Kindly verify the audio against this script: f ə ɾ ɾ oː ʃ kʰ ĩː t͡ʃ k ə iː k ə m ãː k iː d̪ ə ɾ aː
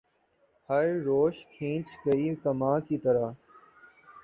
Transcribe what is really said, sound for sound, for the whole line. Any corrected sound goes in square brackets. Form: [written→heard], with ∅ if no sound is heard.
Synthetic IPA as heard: [f→h] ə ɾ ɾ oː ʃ kʰ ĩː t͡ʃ k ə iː k ə m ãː k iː [d̪→t̪] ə ɾ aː